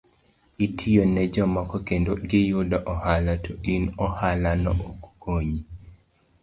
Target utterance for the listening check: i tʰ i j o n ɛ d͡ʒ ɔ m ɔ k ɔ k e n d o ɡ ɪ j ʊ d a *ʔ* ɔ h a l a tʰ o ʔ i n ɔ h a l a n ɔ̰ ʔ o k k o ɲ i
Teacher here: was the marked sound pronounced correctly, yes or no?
yes